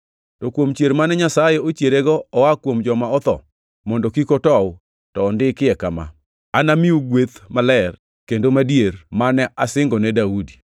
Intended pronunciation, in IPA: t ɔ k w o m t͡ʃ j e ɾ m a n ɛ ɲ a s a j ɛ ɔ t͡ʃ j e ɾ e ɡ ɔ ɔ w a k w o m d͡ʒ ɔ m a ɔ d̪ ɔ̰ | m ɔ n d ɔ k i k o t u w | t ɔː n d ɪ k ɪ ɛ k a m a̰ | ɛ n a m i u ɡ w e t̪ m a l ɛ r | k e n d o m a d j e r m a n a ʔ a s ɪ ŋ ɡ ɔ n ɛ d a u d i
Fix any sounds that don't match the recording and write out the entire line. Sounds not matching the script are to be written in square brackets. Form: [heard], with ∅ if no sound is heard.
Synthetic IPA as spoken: t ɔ k w o m t͡ʃ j e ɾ m a n ɛ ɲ a s a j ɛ [o] t͡ʃ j e ɾ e ɡ ɔ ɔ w a k w o m d͡ʒ ɔ m a ɔ [t̪] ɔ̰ | m ɔ n d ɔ k i k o t [ɔ] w | t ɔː n d ɪ k ɪ ɛ k a m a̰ | [a] n a m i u ɡ w e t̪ m a l ɛ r | k e n d o m a d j e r m a n [ɛ] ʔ a s ɪ ŋ ɡ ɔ n ɛ d a u d i